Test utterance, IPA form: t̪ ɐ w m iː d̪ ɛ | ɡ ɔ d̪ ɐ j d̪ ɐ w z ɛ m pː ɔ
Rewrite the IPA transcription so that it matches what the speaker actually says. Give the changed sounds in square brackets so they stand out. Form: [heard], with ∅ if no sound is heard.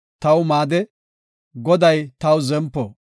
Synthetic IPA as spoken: t̪ ɐ w m [aː] d̪ ɛ | ɡ ɔ d̪ ɐ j [t̪] ɐ w z ɛ m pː ɔ